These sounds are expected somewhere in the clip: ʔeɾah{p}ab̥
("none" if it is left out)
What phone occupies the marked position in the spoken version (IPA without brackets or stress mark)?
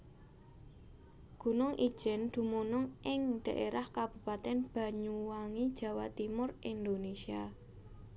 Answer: k